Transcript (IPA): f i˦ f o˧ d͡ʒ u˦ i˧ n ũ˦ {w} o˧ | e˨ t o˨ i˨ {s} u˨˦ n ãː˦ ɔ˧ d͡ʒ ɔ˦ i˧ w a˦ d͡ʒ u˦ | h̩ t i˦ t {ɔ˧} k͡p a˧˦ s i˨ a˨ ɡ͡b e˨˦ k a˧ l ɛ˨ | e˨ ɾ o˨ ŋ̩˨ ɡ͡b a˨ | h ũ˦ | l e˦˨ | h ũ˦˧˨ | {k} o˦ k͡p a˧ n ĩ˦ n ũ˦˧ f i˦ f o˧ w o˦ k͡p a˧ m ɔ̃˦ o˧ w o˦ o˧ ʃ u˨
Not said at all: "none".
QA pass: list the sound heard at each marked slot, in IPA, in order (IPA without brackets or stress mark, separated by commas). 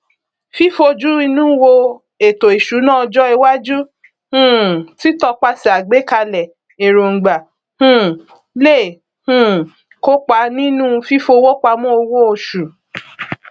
w, ʃ, ɔ˧, k